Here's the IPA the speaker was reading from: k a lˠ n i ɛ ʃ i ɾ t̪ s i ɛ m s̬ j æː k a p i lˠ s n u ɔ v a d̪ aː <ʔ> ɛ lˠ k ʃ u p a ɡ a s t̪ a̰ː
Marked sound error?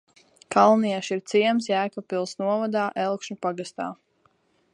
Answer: no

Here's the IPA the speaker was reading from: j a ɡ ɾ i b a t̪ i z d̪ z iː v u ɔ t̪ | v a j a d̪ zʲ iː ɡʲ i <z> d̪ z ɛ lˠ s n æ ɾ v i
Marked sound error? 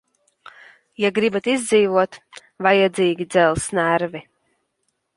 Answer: yes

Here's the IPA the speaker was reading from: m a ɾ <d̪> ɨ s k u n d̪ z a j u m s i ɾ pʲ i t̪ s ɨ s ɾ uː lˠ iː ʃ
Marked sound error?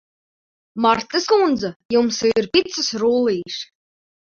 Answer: yes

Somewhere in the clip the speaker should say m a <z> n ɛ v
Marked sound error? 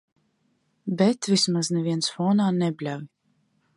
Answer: no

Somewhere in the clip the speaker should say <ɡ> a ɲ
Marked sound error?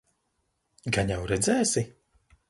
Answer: no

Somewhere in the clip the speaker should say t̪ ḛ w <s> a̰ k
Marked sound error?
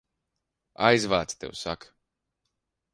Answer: no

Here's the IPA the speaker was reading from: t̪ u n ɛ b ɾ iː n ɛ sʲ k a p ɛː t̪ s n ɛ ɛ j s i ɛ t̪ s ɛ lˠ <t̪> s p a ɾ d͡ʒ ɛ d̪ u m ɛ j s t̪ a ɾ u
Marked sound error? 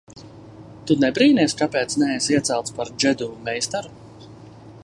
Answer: no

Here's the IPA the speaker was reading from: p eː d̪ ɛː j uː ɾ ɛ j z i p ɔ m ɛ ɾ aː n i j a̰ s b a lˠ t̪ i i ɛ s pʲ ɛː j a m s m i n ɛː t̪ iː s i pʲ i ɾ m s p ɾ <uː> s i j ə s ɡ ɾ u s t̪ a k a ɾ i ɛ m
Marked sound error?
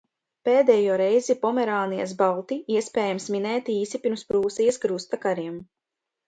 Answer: no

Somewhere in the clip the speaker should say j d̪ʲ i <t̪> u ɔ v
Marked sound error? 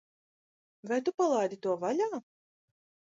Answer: no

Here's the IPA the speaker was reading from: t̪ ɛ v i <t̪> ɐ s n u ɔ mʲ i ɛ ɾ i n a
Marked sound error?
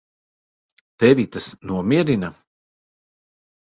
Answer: no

